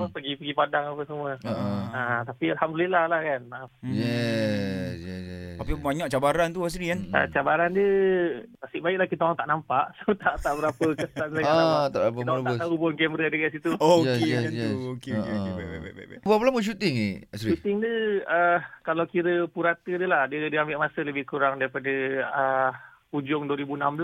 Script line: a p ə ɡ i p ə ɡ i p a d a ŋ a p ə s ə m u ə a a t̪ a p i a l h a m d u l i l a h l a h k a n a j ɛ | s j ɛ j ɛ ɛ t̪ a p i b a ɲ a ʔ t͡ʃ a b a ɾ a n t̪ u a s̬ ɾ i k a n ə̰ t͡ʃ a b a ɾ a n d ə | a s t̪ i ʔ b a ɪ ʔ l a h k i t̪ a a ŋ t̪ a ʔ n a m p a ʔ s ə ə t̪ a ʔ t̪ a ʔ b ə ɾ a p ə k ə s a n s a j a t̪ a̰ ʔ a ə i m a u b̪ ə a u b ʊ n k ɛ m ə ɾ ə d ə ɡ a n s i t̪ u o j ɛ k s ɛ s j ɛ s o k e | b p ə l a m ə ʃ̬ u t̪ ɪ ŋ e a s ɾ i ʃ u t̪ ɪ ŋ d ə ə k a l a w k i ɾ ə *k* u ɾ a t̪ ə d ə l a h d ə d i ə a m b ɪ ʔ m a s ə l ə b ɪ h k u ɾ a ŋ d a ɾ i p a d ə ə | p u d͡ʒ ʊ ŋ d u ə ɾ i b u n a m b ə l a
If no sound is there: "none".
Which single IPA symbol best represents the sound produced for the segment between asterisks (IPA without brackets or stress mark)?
p